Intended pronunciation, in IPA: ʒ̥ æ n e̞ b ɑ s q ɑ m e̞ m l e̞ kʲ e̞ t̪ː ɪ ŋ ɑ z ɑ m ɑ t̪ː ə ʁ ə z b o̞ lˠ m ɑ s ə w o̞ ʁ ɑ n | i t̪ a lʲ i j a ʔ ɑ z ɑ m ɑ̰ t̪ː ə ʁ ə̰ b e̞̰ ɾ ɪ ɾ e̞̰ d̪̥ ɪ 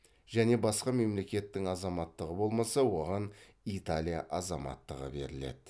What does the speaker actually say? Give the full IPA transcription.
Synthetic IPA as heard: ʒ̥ æ n e̞ b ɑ s q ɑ m e̞ m l e̞ kʲ e̞ t̪ː ɪ ŋ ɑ z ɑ m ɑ t̪ː ə ʁ ə b o̞ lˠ m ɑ s ɑ w o̞ ʁ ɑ n | i t̪ a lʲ i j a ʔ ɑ z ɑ m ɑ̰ t̪ː ə ʁ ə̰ b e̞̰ ɾ ɪ l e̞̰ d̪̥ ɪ